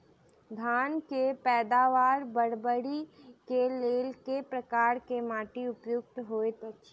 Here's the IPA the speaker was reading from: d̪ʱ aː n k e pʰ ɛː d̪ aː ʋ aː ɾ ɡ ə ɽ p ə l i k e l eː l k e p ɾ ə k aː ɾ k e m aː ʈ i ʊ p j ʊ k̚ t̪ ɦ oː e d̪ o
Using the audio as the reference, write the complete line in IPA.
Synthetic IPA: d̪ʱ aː n k e p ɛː d̪ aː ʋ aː ɾ b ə ɽ b ə ɽ i k e l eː l k e p ɾ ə k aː ɾ k e m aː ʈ i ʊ p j ʊ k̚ t̪ ɦ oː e t̪ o